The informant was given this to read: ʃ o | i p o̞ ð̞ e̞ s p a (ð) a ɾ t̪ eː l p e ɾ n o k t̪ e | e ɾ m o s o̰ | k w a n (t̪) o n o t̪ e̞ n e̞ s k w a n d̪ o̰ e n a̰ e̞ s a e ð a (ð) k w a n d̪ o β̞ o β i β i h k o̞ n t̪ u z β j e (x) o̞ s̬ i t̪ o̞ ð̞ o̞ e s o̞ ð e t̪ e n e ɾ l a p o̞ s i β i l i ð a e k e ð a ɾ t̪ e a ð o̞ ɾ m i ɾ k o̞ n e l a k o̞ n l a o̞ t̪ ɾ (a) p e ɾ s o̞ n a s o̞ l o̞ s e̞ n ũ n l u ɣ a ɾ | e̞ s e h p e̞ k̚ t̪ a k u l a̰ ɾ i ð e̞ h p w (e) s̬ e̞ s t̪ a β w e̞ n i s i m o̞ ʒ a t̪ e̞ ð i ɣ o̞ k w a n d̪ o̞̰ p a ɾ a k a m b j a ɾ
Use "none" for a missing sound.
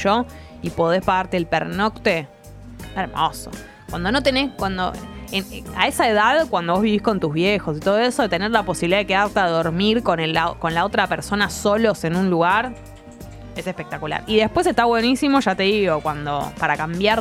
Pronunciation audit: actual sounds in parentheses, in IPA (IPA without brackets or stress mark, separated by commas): ɣ, d̪, ð, x, a, e